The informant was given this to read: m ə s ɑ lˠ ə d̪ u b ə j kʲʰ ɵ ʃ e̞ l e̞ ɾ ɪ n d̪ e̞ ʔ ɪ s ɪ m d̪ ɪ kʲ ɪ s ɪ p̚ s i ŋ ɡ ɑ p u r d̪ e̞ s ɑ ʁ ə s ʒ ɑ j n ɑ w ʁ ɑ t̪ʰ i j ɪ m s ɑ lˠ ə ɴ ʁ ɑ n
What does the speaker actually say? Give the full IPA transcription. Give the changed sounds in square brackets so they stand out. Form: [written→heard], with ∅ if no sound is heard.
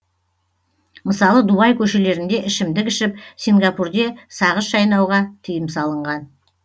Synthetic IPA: m ə s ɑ lˠ ə d̪ u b [ə→ɑ] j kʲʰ ɵ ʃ e̞ l e̞ ɾ ɪ n d̪ e̞ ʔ ɪ [s→ʃ] ɪ m d̪ ɪ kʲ ɪ [s→ʃ] ɪ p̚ s i ŋ ɡ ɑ p u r d̪ e̞ s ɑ ʁ ə s ʒ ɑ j n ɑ w ʁ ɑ t̪ʰ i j ɪ m s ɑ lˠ ə ɴ ʁ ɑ n